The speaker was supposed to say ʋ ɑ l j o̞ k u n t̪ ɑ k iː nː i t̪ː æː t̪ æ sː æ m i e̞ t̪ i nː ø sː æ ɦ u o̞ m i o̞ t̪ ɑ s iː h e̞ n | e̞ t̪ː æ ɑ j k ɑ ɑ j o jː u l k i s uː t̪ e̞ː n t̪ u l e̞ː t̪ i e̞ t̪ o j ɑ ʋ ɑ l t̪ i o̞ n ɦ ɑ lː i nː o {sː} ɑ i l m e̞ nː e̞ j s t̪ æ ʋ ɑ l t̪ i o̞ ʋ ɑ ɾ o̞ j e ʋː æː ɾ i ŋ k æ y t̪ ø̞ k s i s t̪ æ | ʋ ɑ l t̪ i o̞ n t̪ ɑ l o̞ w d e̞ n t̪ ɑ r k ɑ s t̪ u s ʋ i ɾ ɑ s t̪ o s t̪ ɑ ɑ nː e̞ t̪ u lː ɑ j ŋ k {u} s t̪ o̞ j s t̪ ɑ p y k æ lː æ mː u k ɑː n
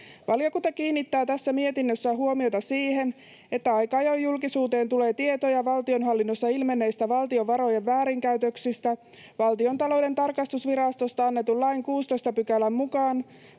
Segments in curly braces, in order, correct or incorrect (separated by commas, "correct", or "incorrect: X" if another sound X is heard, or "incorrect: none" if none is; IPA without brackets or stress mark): correct, incorrect: uː